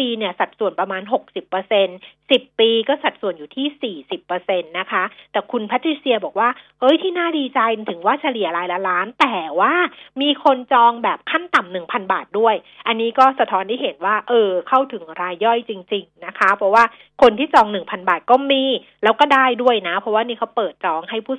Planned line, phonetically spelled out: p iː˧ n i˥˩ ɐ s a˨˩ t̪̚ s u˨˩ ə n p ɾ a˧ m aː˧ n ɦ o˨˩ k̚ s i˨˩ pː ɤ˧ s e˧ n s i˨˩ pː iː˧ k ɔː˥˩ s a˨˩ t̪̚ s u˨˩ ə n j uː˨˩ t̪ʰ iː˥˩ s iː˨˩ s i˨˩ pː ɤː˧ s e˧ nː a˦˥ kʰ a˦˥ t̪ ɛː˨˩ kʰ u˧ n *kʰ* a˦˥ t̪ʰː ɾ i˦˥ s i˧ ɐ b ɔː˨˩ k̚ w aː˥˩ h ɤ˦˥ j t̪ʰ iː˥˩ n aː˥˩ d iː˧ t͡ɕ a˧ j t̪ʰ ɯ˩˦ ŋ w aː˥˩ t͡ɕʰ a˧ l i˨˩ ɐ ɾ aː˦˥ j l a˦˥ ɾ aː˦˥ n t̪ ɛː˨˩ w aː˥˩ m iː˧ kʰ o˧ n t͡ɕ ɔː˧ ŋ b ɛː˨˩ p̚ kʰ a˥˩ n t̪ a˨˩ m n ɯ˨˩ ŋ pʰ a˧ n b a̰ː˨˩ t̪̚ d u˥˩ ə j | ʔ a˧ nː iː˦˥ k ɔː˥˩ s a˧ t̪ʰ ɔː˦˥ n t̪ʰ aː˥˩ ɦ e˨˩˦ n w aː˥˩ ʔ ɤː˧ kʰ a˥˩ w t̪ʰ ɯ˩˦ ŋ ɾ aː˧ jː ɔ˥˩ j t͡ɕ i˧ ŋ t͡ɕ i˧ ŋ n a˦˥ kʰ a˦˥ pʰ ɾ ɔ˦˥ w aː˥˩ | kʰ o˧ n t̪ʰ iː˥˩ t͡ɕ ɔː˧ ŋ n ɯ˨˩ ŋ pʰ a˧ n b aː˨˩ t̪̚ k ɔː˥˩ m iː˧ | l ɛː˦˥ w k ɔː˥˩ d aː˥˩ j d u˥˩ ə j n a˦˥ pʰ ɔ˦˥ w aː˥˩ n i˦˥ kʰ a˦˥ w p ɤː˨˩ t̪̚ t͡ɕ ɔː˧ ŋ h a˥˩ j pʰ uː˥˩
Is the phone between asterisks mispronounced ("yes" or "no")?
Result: yes